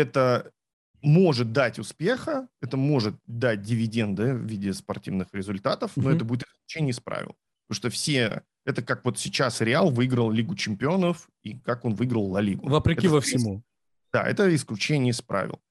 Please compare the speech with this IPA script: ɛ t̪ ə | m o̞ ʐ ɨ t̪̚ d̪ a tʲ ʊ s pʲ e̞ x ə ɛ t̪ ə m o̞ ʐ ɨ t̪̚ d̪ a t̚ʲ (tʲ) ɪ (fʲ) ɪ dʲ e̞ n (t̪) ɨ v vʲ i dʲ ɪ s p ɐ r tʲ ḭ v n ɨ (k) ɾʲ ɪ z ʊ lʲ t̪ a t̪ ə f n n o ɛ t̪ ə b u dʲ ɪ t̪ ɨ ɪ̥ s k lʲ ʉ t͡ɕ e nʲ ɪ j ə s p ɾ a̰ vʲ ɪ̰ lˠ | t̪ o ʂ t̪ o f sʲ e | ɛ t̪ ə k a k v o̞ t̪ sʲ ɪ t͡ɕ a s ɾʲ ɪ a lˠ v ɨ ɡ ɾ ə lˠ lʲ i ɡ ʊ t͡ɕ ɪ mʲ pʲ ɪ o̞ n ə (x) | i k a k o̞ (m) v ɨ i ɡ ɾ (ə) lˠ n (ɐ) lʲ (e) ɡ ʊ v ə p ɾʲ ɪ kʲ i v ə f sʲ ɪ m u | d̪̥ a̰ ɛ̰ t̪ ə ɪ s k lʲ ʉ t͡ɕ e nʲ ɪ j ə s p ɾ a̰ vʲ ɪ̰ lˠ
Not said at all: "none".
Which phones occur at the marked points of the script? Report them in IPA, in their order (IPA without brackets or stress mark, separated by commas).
dʲ, vʲ, d̪, x, f, n, ə, ɐ, i